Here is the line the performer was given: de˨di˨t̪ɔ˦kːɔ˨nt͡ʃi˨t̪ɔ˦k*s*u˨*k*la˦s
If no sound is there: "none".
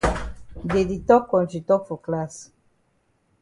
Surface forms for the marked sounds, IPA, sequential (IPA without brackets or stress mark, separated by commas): f, k